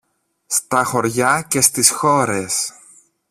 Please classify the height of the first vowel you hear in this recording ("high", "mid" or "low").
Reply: low